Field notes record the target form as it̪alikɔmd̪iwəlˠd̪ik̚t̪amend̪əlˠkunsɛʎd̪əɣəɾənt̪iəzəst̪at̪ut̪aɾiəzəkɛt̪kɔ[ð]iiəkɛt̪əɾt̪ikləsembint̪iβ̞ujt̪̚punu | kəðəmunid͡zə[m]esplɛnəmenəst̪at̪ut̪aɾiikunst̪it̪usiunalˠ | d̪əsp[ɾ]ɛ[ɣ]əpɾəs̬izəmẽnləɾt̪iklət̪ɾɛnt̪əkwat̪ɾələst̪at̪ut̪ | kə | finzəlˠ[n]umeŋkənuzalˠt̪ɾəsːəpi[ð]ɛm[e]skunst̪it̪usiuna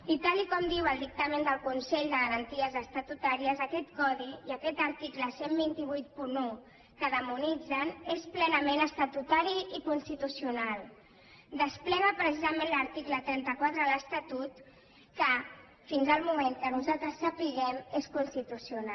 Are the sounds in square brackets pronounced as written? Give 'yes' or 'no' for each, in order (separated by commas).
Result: yes, no, no, yes, no, no, yes